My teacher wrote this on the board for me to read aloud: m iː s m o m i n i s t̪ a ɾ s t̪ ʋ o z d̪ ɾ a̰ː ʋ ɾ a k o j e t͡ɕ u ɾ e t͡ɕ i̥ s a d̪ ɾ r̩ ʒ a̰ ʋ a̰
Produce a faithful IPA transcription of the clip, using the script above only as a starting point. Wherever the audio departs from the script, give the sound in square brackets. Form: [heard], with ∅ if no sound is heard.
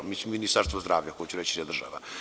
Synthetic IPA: m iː s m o m i n i s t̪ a ɾ s t̪ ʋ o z d̪ ɾ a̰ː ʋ [ʎ] a k o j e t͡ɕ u ɾ e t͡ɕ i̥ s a d̪ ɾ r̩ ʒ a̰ ʋ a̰